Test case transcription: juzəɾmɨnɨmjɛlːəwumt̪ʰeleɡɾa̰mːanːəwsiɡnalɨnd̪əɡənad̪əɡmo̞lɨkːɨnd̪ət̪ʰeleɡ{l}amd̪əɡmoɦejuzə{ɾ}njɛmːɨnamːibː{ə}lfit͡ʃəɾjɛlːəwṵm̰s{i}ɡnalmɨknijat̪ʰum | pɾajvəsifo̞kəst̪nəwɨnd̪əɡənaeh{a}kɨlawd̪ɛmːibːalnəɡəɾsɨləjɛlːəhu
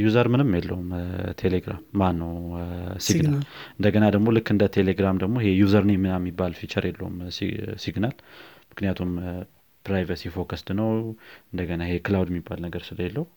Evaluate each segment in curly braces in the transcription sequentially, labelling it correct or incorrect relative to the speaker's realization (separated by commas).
incorrect, correct, incorrect, correct, incorrect